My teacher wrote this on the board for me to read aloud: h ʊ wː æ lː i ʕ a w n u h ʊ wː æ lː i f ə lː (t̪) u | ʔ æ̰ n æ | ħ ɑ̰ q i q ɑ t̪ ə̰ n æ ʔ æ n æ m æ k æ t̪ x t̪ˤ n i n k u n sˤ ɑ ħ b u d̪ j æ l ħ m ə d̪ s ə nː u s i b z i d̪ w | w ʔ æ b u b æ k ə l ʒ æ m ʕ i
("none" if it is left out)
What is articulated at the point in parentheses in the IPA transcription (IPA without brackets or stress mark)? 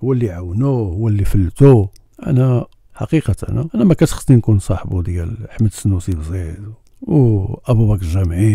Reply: t̪